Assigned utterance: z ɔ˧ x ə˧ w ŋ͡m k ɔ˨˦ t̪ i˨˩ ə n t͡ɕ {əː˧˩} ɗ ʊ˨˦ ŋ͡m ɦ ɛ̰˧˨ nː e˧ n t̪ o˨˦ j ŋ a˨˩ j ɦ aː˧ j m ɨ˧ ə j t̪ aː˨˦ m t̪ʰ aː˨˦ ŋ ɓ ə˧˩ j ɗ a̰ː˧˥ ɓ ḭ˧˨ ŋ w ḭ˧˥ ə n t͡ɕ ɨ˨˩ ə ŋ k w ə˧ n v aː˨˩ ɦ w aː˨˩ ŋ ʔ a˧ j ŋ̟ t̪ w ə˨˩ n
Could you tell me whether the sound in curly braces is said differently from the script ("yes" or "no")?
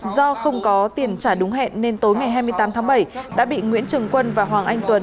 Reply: yes